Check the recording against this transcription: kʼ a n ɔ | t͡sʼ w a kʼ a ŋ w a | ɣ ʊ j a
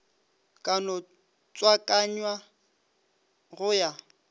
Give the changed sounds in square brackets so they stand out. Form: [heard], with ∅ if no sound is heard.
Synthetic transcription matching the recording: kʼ a n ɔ | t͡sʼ w a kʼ a [ɲ] w a | ɣ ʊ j a